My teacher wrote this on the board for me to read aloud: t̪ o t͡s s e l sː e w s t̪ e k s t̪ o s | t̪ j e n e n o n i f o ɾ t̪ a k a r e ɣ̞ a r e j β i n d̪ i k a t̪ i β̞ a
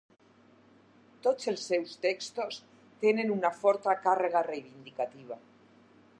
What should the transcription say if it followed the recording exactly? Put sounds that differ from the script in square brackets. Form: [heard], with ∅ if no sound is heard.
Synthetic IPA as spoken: t̪ o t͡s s e l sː e w s t̪ e k s t̪ o s | t̪ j e n e n [u] n [a] f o ɾ t̪ a k a r e ɣ̞ a r e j β i n d̪ i k a t̪ i β̞ a